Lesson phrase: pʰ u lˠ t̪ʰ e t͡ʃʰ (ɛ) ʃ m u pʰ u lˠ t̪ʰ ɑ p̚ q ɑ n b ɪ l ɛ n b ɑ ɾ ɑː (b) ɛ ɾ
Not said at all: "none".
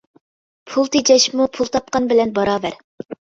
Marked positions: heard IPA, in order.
ɛ, v

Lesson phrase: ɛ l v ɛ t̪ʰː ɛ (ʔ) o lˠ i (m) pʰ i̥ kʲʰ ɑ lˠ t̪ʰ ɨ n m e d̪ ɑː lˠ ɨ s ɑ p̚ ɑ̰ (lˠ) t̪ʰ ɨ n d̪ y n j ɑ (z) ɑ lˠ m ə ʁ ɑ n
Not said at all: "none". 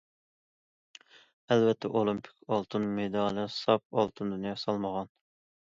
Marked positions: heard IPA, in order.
ʔ, m, lˠ, s

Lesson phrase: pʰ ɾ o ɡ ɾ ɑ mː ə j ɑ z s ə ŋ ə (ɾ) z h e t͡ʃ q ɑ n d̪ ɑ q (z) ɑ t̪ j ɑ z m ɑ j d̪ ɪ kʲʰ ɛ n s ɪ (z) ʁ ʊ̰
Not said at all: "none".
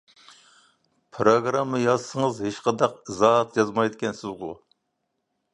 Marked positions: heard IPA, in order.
none, z, z

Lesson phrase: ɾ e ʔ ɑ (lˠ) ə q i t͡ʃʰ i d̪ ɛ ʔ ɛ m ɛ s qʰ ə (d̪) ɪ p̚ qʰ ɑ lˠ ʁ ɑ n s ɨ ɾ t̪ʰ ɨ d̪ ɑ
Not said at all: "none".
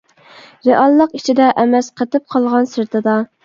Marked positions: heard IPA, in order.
lˠː, t̪

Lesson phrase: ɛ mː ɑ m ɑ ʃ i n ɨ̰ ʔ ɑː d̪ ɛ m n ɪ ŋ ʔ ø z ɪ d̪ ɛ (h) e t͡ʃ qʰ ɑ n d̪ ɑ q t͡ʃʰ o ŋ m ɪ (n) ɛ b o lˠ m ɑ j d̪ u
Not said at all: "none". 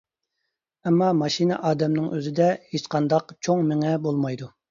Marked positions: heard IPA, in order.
h, ŋ

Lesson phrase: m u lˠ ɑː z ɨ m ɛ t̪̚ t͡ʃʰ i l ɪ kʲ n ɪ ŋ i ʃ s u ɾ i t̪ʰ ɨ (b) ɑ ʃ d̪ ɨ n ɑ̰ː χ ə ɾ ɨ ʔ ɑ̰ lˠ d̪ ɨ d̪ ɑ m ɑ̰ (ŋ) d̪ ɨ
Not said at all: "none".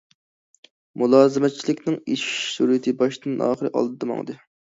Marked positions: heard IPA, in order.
b, ŋ

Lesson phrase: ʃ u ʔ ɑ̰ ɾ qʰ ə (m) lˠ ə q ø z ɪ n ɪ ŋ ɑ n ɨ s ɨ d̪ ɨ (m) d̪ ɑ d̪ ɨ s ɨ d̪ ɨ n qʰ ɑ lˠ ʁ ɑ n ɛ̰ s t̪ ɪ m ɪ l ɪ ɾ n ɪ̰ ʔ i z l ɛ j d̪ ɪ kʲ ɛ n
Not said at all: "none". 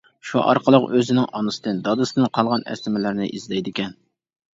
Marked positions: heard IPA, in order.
none, n

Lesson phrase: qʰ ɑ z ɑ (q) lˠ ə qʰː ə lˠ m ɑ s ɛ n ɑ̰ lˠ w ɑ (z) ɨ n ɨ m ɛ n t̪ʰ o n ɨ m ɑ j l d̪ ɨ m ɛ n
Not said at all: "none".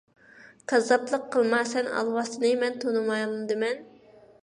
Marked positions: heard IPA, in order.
p, s

